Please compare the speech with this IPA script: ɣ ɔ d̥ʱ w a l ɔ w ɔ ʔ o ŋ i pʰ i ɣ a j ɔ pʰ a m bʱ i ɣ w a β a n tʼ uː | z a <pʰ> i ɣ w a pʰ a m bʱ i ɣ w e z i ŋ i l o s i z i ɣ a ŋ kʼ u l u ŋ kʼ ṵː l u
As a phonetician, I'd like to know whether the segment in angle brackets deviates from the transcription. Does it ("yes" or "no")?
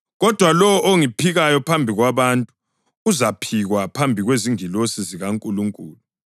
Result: no